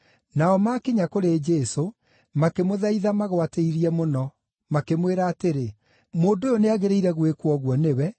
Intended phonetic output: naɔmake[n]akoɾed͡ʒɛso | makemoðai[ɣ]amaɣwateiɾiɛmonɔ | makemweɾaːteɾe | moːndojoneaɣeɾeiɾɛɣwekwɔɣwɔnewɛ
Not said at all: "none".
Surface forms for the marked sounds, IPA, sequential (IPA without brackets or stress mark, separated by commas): ɲ, ð